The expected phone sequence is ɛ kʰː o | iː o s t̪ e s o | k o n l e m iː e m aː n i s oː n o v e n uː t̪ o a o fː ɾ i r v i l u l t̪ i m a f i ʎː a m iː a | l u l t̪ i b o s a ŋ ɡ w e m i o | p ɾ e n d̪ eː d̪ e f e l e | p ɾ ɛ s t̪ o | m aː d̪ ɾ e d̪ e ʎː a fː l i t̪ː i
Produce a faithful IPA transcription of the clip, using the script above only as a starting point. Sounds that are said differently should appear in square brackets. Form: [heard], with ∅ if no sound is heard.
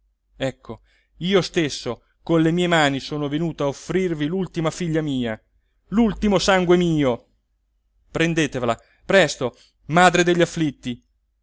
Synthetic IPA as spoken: ɛ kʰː o | iː o s t̪ e [sː] o | k o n l e m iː e m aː n i s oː n o v e n uː t̪ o a o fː ɾ i r v i l u l t̪ i m a f i ʎː a m iː a | l u l t̪ i [m] o s a ŋ ɡ w e m [iː] o | p ɾ e n d̪ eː [t̪] e [v] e l [a] | p ɾ ɛ s t̪ o | m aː d̪ ɾ e d̪ e ʎː a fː l i t̪ː i

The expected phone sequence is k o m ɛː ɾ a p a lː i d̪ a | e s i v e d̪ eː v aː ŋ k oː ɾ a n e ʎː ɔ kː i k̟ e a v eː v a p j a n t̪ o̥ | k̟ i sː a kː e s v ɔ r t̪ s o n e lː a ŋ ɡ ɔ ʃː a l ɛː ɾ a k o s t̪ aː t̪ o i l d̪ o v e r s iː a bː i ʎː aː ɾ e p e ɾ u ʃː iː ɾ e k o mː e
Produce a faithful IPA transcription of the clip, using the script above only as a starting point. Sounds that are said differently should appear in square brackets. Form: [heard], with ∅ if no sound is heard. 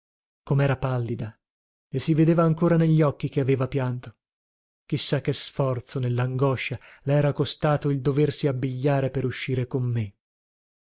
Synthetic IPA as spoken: k o m ɛː ɾ a p a lː i d̪ a | e s i v e d̪ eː v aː ŋ k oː ɾ a n e ʎː ɔ kː i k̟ e a v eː v a p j a n t̪ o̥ | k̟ i sː a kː e s [f] ɔ r t̪ s o n e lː a ŋ ɡ ɔ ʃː a l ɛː ɾ a k o s t̪ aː t̪ o i l d̪ o v e r s [i] a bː i ʎː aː ɾ e p e ɾ u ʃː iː ɾ e k o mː e

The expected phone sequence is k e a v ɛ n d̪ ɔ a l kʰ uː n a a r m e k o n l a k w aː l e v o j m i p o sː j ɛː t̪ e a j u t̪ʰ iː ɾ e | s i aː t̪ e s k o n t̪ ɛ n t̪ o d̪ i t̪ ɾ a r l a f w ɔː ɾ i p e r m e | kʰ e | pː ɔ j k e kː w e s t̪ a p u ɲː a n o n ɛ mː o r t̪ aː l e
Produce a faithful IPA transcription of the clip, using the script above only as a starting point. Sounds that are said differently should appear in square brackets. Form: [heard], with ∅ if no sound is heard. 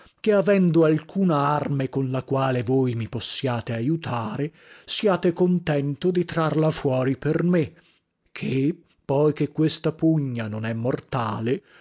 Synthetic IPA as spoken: k e a v ɛ n d̪ [o] a l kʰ uː n a a r m e k o n l a k w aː l e v o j m i p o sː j [aː] t̪ e a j u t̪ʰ [aː] ɾ e | s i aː t̪ e [∅] k o n t̪ ɛ n t̪ o d̪ i t̪ ɾ a r l a f w ɔː ɾ i p e r m e | kʰ e | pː ɔ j k e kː w e s t̪ a p u ɲː a n o n ɛ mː o r t̪ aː l e

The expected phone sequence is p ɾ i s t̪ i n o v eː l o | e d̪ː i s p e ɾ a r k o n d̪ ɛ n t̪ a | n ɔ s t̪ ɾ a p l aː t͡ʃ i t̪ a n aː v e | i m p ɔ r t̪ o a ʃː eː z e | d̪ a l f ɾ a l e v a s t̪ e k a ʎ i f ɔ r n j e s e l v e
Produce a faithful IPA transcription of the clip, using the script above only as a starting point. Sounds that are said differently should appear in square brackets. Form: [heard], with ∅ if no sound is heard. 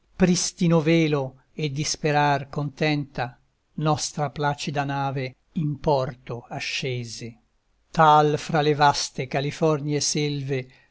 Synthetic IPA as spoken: p ɾ i s t̪ i n o v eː l o | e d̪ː i s p e ɾ a r k o n [t̪] ɛ n t̪ a | n ɔ s t̪ ɾ a p l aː t͡ʃ i [d̪] a n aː v e | i m p ɔ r t̪ o a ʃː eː z e | [t̪] a l f ɾ a l e v a s t̪ e k a [l] i f ɔ r n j e s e l v e

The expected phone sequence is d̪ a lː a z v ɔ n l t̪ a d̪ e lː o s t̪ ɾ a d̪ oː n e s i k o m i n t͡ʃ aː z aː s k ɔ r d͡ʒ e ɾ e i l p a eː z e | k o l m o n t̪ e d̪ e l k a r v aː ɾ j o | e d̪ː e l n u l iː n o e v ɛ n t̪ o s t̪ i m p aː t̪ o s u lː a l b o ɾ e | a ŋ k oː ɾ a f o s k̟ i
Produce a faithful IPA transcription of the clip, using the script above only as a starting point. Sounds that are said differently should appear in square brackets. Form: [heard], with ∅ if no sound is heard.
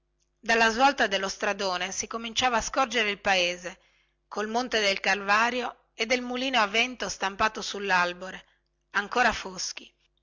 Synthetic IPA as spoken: d̪ a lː a z v ɔ [∅] l t̪ a d̪ e lː o s t̪ ɾ a d̪ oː n e s i k o m i n t͡ʃ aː [v] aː s k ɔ r d͡ʒ e ɾ e i l p a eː z e | k o l m o n t̪ e d̪ e l k a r v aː ɾ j o | e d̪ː e l [m] u l iː n o [a] v ɛ n t̪ o s t̪ [a] m p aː t̪ o s u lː a l b o ɾ e | a ŋ k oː ɾ a f o s k̟ i

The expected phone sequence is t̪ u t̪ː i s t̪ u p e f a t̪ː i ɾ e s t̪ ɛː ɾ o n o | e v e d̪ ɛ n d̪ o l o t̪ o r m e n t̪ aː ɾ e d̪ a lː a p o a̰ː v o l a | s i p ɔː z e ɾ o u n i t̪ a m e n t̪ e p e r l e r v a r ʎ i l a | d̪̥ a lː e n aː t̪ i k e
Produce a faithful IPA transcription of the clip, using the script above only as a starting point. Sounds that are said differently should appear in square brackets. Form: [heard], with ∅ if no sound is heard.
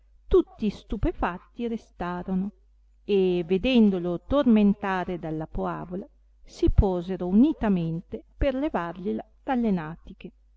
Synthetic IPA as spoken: t̪ u t̪ː i s t̪ u p e f a t̪ː i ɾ e s t̪ [aː] ɾ o n o | e v e d̪ ɛ n d̪ o l o t̪ o r m e n t̪ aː ɾ e d̪ a lː a p o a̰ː v o l a | s i p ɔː z e ɾ o u n i t̪ a m e n t̪ e p e r l e [∅] v a r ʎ i l a | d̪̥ a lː e n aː t̪ i k e

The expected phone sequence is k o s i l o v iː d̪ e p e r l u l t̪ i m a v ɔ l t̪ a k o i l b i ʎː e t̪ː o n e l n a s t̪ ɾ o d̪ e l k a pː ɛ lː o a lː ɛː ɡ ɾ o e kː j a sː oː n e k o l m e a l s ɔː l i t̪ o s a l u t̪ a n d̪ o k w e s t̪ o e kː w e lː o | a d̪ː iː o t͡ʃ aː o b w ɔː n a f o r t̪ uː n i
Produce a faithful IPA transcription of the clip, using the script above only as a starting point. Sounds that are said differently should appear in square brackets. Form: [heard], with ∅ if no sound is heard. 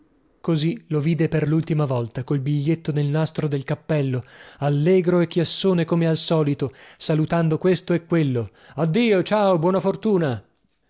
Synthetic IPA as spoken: k o [z] i l o v iː d̪ e p e r l u l t̪ i m a v ɔ l t̪ a k o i l b i ʎː e t̪ː o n e l n a s t̪ ɾ o d̪ e l k a pː ɛ lː o a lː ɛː ɡ ɾ o e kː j a sː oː n e k o [∅] m e a l s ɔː l i t̪ o s a l u t̪ a n d̪ o k w e s t̪ o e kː w e lː o | a d̪ː iː o t͡ʃ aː o b w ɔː n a f o r t̪ uː n [a]

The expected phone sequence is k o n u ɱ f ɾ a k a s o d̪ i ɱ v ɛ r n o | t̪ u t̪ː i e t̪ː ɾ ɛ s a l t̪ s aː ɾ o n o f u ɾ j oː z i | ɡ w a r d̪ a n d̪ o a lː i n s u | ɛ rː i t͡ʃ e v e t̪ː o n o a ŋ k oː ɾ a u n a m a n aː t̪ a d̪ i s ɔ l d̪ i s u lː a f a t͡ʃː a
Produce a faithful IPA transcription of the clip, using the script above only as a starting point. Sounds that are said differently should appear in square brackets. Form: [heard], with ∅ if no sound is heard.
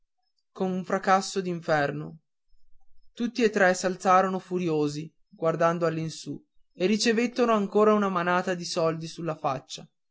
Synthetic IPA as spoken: k o n u ɱ f ɾ a k a [sː] o d̪ i ɱ [f] ɛ r n o | t̪ u t̪ː i e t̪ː ɾ ɛ s a l t̪ s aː ɾ o n o f u ɾ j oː z i | ɡ w a r d̪ a n d̪ o a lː i n s u | [e] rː i t͡ʃ e v e t̪ː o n o a ŋ k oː ɾ a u n a m a n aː t̪ a d̪ i s ɔ l d̪ i s u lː a f a t͡ʃː a

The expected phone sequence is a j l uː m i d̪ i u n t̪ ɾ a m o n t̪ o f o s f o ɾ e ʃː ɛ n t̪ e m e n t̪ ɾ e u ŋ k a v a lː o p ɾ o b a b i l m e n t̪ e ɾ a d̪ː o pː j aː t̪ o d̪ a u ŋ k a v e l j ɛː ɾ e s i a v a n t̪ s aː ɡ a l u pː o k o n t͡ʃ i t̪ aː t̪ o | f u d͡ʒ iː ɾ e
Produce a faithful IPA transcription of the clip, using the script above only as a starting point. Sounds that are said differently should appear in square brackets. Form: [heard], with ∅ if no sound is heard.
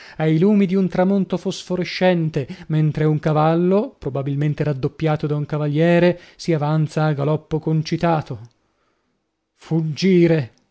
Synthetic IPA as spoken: a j l uː m i d̪ i u n t̪ ɾ a m o n t̪ o f o s f o ɾ e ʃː ɛ n t̪ e m e n t̪ ɾ e u ŋ k a v a lː o p ɾ o b a b i l m e n t̪ e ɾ a d̪ː o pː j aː t̪ o d̪ a u ŋ k a v [a] l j ɛː ɾ e s i a v a n t̪ s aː ɡ a l [ɔ] pː o k o n t͡ʃ i t̪ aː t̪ o | f u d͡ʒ iː ɾ e

